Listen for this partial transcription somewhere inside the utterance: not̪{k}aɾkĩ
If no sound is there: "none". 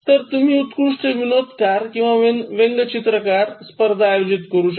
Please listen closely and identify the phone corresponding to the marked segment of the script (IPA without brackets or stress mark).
k